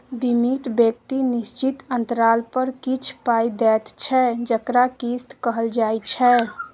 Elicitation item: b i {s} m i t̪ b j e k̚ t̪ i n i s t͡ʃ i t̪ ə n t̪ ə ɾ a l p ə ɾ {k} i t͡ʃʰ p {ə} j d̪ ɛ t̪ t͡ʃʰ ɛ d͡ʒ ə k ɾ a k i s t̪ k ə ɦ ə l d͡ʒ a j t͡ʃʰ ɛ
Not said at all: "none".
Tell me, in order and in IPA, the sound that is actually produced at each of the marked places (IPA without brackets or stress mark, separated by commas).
none, k, a